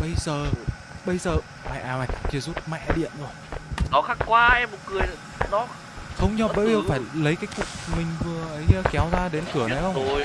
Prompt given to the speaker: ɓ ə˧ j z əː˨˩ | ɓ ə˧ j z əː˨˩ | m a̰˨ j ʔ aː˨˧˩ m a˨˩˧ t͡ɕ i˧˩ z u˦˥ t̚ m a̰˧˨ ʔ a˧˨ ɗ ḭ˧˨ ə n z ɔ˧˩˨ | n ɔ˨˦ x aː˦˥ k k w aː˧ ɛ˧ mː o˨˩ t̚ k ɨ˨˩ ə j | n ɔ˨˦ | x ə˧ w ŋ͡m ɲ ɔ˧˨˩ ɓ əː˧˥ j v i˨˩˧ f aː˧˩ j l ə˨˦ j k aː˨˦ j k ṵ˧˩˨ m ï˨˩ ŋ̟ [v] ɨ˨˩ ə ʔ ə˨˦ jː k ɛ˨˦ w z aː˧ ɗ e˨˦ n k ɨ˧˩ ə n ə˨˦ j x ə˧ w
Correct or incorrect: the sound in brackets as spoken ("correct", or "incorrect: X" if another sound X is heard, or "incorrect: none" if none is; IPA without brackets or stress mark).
correct